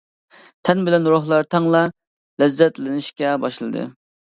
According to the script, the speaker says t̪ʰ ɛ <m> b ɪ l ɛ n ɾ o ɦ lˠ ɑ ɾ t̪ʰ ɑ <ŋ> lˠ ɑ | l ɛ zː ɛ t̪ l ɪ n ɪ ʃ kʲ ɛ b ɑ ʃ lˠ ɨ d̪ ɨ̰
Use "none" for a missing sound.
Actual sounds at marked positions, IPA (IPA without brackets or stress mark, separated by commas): n, ŋ